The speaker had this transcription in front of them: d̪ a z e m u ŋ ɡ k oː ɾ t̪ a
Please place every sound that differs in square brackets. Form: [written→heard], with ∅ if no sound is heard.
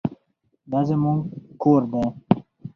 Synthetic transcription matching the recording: d̪ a z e m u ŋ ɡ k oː ɾ [t̪→d̪] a